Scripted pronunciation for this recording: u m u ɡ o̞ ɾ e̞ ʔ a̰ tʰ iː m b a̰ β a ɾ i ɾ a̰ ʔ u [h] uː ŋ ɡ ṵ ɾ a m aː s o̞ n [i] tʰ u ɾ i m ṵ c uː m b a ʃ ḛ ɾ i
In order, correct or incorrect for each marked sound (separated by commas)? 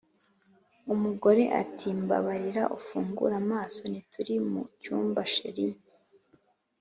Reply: incorrect, correct